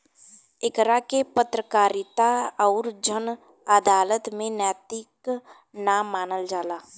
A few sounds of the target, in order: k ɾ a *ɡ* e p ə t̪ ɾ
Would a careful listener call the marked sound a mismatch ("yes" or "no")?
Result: yes